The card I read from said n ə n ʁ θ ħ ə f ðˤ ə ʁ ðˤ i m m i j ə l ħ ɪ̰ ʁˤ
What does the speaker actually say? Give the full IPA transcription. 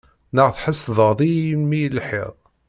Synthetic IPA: n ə ʁ θ ħ ə s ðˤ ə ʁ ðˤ i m m i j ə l ħ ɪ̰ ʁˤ